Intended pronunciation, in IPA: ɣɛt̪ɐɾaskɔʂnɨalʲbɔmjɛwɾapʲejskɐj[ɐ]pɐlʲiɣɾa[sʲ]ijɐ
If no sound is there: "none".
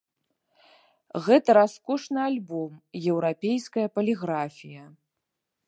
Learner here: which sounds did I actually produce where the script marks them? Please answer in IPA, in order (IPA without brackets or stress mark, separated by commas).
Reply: ɐ, fʲ